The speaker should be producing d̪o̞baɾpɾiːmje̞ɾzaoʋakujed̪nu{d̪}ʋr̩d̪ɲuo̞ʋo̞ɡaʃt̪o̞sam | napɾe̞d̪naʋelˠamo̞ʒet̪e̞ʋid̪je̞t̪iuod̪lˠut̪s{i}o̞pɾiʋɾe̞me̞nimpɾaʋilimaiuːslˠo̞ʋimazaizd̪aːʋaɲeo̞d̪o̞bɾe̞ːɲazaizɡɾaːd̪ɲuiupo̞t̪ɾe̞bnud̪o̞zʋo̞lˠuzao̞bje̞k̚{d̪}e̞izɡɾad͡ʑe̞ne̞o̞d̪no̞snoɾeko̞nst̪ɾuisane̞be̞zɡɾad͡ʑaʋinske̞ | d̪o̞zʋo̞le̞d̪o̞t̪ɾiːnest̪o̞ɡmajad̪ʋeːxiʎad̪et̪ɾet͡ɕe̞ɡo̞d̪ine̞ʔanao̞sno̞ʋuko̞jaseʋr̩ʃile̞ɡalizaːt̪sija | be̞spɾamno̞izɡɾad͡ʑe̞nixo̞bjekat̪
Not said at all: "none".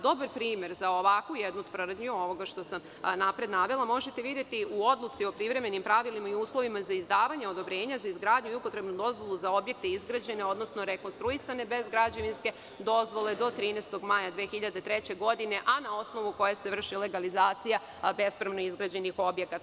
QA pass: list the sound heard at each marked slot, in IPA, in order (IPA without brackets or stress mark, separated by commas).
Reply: t̪, i, t̪